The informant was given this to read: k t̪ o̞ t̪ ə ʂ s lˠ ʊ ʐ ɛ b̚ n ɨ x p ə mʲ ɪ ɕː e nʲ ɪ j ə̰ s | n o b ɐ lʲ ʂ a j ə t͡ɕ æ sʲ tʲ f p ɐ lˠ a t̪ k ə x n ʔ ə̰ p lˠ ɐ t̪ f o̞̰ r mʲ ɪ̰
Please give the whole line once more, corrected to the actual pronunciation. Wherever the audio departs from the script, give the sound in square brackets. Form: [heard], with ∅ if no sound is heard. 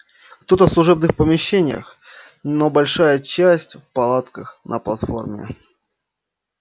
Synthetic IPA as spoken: k t̪ o̞ t̪ ə [f] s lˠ ʊ ʐ ɛ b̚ n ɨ x p ə mʲ ɪ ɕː e nʲ ɪ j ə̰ [x] | n o b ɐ lʲ ʂ a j ə t͡ɕ æ sʲ tʲ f p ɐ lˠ a t̪ k ə x n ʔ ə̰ p lˠ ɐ t̪ f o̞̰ r mʲ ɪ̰